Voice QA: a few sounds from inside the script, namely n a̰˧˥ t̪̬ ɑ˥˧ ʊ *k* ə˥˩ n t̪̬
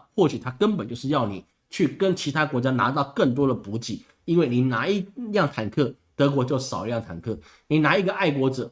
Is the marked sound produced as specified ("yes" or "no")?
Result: yes